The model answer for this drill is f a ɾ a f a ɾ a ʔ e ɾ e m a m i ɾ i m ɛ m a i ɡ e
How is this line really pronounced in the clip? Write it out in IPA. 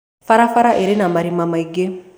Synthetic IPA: f a ɾ a f a ɾ a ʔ e ɾ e n a m a ɾ i m a m a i ɡ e